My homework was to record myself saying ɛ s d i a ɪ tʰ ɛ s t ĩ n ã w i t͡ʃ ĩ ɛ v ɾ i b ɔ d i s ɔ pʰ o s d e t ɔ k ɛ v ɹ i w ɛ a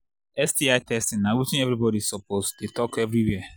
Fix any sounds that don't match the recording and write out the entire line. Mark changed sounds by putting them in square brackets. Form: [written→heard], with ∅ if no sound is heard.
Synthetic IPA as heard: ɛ s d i a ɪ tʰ ɛ s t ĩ n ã w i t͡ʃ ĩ ɛ v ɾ i b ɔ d i s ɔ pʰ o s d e t ɔ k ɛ v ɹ i w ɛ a